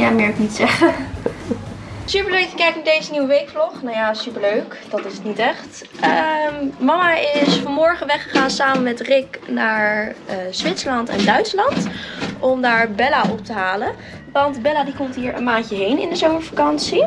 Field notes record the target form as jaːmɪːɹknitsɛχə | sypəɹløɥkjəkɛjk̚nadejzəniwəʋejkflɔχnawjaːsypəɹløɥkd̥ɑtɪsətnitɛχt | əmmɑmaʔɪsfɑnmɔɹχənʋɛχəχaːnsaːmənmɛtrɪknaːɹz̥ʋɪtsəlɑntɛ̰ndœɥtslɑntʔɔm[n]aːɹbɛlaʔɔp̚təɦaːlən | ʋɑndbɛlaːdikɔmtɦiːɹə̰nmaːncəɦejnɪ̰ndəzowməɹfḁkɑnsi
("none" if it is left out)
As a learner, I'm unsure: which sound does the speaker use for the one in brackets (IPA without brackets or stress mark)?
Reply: d